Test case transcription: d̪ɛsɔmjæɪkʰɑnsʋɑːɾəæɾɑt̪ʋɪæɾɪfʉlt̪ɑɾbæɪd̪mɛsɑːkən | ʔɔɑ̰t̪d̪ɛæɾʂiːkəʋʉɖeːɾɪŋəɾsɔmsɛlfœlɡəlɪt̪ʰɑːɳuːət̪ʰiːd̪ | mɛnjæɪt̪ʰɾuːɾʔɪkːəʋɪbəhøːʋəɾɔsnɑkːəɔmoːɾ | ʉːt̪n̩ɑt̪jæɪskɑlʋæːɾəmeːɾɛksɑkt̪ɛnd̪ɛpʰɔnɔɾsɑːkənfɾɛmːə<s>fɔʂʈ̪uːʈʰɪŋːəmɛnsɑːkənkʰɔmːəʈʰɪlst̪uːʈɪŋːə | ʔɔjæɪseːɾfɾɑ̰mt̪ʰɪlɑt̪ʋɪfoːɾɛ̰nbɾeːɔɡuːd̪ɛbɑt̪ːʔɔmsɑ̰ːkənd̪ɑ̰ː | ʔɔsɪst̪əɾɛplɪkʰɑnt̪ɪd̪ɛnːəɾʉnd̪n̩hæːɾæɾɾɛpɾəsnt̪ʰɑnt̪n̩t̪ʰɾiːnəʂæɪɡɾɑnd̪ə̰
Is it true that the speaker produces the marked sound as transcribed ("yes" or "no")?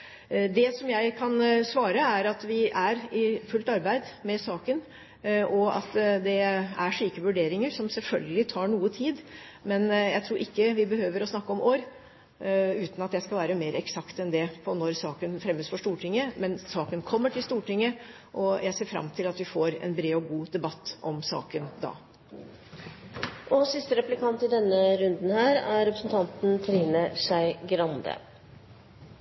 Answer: yes